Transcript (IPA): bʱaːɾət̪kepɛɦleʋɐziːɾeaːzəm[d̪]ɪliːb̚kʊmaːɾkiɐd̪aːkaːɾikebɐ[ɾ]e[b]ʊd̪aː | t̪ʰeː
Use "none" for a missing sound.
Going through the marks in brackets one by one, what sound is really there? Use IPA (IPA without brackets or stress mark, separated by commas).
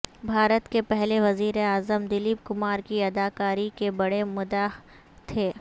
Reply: d̪, ɽ, m